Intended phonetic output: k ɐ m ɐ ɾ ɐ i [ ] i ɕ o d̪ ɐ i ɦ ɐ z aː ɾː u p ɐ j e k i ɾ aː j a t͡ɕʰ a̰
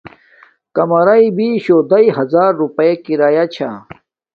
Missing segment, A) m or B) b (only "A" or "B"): B